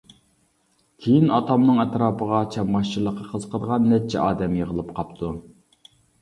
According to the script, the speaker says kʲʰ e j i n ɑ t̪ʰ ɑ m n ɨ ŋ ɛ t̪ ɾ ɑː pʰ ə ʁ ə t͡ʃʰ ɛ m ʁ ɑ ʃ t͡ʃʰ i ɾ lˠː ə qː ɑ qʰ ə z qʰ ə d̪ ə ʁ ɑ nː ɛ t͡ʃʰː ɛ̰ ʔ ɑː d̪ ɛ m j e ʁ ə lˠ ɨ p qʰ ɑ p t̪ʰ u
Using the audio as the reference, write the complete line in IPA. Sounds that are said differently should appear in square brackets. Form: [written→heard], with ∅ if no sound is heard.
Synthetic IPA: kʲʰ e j i n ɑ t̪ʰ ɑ m n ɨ ŋ ɛ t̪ ɾ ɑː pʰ ə ʁ [ə→ɑ] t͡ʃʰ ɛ m ʁ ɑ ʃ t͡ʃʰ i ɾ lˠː ə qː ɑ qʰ ə z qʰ ə d̪ ə ʁ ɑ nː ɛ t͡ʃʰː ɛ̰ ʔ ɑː d̪ ɛ m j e ʁ ə lˠ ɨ p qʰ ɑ p t̪ʰ u